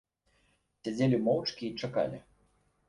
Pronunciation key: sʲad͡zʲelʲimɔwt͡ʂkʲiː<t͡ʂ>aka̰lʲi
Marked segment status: correct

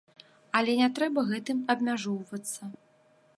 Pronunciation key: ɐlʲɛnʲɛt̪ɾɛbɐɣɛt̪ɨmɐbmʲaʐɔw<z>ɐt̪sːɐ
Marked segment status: incorrect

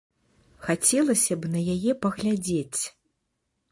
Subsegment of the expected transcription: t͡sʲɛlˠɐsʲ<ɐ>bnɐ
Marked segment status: correct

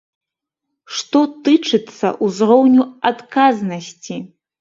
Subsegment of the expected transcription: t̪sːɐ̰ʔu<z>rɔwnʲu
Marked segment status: correct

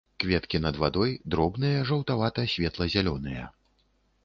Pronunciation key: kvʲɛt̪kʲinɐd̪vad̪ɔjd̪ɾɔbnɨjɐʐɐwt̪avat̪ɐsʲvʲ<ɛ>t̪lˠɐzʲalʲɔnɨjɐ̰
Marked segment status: correct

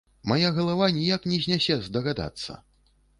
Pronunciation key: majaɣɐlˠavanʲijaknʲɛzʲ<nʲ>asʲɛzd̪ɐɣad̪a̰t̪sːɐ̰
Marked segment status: correct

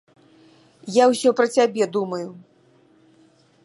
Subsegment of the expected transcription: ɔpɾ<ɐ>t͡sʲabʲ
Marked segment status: correct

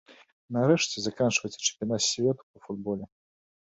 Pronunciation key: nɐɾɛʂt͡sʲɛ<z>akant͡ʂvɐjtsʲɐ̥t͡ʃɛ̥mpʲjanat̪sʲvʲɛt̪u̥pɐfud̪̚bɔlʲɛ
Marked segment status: correct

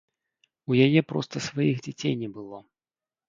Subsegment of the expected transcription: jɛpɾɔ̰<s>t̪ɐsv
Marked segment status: correct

